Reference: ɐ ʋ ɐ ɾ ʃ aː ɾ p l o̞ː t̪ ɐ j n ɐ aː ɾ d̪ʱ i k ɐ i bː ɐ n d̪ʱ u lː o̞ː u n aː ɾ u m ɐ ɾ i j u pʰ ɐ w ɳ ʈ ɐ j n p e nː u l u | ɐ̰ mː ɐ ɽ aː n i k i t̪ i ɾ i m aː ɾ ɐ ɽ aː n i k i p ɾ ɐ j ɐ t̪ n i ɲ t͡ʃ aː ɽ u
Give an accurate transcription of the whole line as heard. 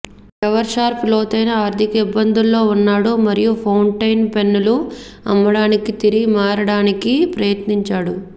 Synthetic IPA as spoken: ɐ ʋ ɐ ɾ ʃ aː ɾ p l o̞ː t̪ ɐ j n ɐ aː ɾ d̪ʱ i k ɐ i bː ɐ n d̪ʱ u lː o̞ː u nː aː ɽ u m ɐ ɾ i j u pʰ ɐ w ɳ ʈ ɐ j n p e nː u l u | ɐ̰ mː ɐ ɽ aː n i k i t̪ i ɾ i m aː ɾ ɐ ɽ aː n i k i p ɾ ɐ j ɐ t̪ n i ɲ t͡ʃ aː ɽ u